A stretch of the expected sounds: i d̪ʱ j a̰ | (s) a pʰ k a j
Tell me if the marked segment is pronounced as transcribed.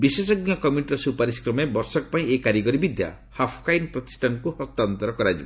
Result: no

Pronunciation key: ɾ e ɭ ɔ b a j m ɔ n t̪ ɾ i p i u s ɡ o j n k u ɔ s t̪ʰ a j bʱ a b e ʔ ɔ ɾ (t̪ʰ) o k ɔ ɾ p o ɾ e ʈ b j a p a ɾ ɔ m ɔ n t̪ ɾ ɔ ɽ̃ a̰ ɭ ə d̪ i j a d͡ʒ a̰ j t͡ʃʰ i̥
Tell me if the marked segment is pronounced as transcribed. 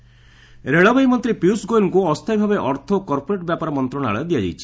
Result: yes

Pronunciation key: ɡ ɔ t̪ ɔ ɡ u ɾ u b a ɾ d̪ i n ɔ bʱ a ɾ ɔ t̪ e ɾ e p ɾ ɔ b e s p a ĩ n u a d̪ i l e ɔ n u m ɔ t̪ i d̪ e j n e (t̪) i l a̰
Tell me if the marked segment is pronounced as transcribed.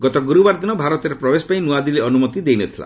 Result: no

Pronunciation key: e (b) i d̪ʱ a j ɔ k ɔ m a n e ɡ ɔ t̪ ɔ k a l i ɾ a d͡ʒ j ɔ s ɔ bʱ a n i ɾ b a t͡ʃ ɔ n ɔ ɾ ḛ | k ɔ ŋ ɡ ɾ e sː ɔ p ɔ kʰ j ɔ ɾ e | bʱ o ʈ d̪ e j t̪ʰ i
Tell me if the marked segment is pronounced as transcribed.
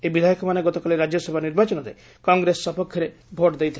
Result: yes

